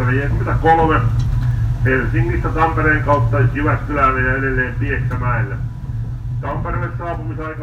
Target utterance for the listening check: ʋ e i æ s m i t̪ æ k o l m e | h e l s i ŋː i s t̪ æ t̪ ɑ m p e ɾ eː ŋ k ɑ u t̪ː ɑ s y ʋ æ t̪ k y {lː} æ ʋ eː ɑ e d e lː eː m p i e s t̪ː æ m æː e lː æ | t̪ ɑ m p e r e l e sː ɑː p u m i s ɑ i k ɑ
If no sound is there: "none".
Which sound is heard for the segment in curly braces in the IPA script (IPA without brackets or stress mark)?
l